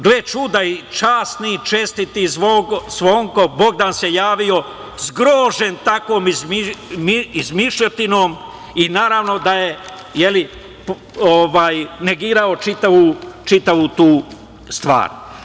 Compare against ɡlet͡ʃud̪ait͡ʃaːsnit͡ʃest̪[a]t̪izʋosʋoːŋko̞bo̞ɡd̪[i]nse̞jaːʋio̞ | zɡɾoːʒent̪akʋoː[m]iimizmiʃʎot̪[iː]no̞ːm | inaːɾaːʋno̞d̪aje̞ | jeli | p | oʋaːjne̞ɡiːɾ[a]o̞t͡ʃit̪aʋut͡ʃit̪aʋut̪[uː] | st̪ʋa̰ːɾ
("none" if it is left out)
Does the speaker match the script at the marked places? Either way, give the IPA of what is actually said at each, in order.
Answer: i, a, m, i, a, uː

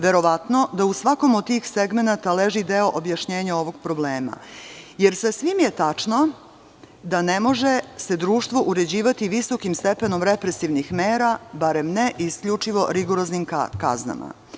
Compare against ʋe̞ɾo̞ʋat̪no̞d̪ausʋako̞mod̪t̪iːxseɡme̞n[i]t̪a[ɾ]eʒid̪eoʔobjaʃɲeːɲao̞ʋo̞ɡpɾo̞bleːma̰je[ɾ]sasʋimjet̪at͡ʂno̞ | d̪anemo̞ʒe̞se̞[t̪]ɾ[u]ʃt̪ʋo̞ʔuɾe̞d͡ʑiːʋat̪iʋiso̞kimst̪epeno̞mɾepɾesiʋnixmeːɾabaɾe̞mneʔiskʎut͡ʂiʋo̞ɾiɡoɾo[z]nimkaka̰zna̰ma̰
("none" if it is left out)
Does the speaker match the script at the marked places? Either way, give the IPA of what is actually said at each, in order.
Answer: a, l, ɾ, d̪, uː, z

